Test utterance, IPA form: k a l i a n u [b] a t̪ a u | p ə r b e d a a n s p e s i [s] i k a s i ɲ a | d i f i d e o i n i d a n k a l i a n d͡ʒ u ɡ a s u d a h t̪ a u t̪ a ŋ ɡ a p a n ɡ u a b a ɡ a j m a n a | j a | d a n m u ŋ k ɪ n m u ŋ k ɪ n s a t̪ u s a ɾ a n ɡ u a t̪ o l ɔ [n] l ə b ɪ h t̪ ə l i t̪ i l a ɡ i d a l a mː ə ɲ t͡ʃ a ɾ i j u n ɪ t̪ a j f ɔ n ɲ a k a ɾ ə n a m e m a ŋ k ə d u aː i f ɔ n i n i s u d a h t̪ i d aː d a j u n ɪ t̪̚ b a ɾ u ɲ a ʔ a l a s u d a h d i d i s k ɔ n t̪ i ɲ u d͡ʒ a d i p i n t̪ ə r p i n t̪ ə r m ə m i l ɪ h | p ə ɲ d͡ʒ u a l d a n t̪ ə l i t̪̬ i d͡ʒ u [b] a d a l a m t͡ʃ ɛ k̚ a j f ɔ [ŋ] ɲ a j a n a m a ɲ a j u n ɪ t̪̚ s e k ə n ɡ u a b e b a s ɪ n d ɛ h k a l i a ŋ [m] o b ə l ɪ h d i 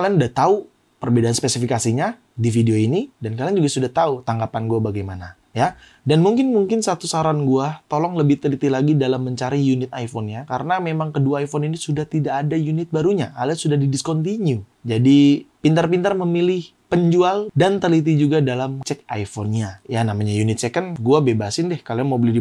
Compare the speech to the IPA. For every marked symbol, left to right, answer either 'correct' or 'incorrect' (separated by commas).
incorrect, incorrect, incorrect, incorrect, incorrect, correct